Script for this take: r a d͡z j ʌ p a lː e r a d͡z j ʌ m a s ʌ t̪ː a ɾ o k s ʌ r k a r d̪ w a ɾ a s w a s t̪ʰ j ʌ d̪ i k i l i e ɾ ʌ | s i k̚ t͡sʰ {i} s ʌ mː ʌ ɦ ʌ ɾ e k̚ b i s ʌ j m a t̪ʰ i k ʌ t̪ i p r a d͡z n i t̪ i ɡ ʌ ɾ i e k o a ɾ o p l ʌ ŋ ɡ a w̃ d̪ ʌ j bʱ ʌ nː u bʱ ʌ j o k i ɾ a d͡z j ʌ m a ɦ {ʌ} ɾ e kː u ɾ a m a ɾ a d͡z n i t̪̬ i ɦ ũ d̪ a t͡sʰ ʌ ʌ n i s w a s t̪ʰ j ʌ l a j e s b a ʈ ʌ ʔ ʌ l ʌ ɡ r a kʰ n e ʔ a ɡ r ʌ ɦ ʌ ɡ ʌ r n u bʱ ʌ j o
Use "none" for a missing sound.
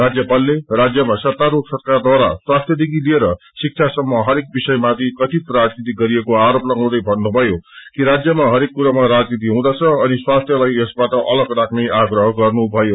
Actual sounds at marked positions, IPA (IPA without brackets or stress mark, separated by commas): a, ʌ